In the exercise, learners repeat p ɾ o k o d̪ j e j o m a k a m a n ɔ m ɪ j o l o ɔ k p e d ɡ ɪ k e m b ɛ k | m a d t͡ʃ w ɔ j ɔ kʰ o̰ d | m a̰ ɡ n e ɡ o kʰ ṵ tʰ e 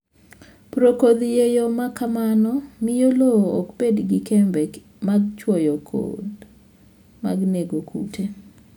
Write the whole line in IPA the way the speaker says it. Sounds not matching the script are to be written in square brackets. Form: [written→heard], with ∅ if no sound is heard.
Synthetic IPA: p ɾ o k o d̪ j e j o m a k a m a n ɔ m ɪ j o l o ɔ k p e d ɡ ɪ k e m b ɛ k | m a [d→ɡ] t͡ʃ w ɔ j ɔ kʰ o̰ d | m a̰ ɡ n e ɡ o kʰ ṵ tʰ e